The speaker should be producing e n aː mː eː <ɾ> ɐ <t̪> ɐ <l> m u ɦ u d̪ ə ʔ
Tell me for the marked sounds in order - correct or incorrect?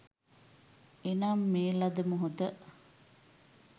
incorrect: l, incorrect: d̪, incorrect: none

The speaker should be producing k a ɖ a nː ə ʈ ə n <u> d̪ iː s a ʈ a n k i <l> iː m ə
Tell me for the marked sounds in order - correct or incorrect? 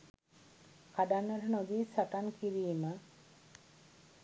incorrect: o, incorrect: ɾ

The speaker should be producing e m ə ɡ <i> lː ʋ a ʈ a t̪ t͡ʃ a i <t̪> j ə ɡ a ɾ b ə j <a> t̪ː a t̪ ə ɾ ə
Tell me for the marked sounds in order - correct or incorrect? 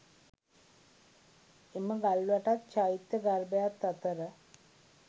incorrect: a, correct, correct

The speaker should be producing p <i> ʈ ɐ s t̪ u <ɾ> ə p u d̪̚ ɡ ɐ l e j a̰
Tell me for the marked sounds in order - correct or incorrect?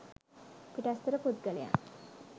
correct, correct

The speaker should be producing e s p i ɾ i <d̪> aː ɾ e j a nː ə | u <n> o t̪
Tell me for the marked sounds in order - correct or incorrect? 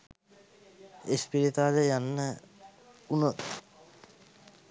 incorrect: t̪, correct

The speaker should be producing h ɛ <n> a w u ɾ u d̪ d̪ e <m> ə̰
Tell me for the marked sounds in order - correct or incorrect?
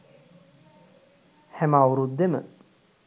incorrect: m, correct

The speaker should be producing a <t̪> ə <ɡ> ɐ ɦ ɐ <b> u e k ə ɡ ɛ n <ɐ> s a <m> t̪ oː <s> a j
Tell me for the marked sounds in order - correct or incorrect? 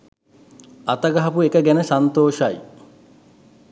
correct, correct, incorrect: p, incorrect: ə, incorrect: n, incorrect: ʃ

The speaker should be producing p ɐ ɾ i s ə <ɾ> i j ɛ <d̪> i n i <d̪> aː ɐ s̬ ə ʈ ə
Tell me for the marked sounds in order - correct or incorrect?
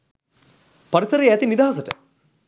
correct, incorrect: t̪, correct

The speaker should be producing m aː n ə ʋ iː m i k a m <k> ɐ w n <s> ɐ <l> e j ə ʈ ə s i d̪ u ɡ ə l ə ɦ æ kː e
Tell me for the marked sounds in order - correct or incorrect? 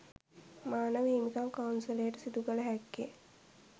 correct, correct, correct

